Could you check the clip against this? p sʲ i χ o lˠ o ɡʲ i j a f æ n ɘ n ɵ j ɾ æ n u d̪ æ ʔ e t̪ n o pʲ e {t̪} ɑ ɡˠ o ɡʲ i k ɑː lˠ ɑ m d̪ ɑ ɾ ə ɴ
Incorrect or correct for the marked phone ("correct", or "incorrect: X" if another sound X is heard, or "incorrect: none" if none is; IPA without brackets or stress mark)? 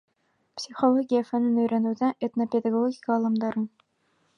incorrect: d̪